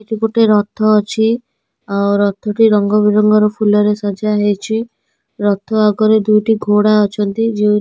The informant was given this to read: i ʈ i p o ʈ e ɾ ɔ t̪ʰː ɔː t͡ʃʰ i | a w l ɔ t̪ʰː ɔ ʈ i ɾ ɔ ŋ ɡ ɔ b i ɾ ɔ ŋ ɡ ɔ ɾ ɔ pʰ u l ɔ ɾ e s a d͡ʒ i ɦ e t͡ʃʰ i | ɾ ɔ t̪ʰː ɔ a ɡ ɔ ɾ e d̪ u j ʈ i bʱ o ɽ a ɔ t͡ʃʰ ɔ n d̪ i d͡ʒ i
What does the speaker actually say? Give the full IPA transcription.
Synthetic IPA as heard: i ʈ i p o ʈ e ɾ ɔ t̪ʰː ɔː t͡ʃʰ i | a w ɾ ɔ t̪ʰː ɔ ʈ i ɾ ɔ ŋ ɡ ɔ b i ɾ ɔ ŋ ɡ ɔ ɾ ɔ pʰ u l ɔ ɾ e s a d͡ʒ a ɦ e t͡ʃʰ i | ɾ ɔ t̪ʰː ɔ a ɡ ɔ ɾ e d̪ u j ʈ i ɡʱ o ɽ a ɔ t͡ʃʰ ɔ n t̪ i d͡ʒ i